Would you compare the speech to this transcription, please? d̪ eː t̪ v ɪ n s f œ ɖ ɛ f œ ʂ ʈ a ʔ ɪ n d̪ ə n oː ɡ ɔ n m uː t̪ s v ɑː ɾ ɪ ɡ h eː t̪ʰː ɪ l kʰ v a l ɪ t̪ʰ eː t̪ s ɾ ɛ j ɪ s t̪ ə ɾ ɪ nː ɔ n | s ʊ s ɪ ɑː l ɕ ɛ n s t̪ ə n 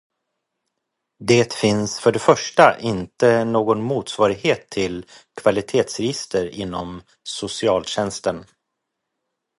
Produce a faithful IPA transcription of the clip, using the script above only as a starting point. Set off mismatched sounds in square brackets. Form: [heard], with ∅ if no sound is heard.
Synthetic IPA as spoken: d̪ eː t̪ [f] ɪ n s f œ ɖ ɛ f œ ʂ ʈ a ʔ ɪ n [t̪] ə n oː ɡ ɔ n m uː t̪ s v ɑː ɾ ɪ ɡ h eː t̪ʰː ɪ l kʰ v a l ɪ t̪ʰ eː t̪ s ɾ ɛ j ɪ s t̪ ə ɾ ɪ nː ɔ [m] | s ʊ s ɪ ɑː l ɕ ɛ n s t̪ ə n